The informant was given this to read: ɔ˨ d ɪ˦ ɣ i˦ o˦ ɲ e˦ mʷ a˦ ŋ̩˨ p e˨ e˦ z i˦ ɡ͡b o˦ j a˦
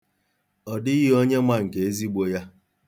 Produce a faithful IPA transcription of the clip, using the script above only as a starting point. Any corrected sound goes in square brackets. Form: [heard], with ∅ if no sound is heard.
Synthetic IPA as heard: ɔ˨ d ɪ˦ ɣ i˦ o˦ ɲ e˦ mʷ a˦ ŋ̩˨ [k] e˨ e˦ z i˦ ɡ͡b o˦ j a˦